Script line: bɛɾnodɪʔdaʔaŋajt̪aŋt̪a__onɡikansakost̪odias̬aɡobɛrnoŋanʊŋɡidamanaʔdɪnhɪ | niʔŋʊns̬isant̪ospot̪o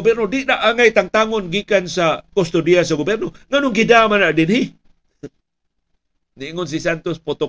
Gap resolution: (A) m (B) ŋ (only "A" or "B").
B